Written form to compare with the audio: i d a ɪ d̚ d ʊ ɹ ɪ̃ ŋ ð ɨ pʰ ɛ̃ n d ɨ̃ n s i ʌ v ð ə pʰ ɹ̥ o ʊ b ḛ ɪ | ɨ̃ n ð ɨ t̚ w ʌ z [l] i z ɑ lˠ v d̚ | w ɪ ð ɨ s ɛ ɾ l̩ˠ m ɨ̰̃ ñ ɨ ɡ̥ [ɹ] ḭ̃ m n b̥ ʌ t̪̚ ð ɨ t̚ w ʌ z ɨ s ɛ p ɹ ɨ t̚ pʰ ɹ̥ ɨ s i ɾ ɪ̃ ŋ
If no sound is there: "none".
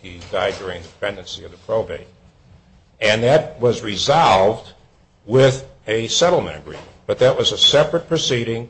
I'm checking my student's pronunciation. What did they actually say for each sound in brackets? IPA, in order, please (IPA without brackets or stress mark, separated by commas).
ɹ, ɹ